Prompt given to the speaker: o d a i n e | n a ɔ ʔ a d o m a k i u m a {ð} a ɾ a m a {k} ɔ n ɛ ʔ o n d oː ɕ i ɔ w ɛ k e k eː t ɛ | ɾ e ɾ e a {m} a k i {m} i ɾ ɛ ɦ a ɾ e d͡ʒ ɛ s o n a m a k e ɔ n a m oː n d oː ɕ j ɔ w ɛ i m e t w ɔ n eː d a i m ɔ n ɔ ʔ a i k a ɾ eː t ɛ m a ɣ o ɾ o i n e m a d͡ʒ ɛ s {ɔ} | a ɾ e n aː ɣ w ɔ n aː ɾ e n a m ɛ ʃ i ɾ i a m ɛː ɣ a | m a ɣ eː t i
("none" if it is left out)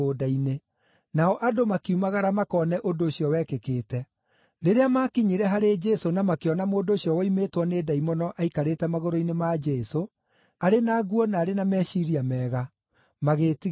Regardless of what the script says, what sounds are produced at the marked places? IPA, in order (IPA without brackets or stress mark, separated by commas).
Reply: ɣ, k, m, ɲ, o